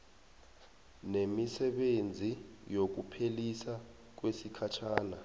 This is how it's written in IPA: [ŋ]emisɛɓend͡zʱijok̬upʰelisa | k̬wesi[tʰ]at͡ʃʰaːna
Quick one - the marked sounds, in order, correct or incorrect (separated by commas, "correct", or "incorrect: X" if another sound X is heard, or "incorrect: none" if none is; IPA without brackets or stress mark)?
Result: incorrect: n, incorrect: kʰ